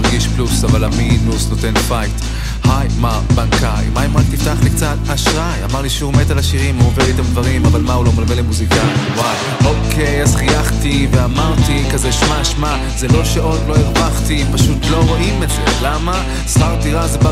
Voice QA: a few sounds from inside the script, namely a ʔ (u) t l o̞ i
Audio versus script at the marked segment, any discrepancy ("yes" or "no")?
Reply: yes